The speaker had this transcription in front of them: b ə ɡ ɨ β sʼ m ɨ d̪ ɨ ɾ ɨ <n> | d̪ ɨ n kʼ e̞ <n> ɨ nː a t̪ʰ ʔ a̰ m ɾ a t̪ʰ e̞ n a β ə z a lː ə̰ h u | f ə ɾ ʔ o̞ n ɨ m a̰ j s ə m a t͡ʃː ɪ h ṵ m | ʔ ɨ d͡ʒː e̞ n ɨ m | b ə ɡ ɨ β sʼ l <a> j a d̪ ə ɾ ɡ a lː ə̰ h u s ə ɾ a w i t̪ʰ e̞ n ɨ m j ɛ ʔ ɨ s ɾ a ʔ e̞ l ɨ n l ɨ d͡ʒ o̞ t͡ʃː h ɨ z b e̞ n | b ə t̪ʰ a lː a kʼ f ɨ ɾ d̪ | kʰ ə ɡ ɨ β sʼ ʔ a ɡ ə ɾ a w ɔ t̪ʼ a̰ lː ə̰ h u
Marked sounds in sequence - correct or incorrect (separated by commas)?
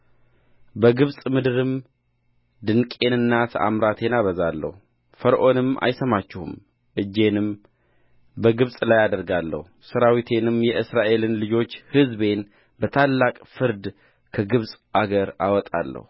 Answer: incorrect, correct, correct